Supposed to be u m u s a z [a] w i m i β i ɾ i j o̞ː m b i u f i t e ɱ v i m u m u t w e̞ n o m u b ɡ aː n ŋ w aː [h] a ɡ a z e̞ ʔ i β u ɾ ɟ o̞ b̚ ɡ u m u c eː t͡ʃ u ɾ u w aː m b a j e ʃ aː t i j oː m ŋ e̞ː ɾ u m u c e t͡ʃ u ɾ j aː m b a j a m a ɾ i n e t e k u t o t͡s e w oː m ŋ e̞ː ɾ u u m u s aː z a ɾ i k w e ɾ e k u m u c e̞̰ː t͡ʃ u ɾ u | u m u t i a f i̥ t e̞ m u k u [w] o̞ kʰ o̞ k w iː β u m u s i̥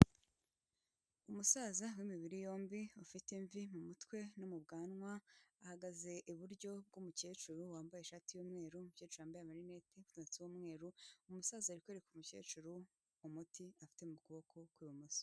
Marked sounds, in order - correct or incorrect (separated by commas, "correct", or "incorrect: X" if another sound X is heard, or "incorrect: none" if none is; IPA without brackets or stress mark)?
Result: correct, correct, incorrect: β